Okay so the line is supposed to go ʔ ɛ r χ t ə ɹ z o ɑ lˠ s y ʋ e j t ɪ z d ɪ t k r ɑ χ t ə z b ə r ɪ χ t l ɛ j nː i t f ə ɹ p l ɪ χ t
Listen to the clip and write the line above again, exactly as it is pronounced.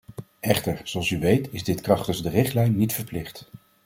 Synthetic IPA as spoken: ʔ ɛ χ t ə ɹ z o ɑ lˠ s y ʋ e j t ɪ z d ɪ t k r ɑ χ t ə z d ə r ɪ χ t l ɛ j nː i t f ə ɹ p l ɪ χ t